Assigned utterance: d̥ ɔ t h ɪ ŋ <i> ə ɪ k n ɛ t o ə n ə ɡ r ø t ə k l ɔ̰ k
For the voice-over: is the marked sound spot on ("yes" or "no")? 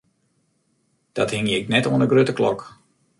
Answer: no